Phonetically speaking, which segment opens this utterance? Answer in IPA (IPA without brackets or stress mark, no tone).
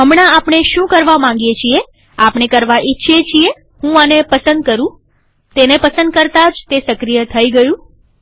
ɦ